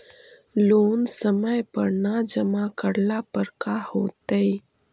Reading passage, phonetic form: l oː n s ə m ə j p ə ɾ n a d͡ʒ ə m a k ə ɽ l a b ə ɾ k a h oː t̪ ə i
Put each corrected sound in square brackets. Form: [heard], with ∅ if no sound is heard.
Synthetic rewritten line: l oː n s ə m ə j p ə ɾ n a d͡ʒ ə m a k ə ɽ l a [p] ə ɾ k a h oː t̪ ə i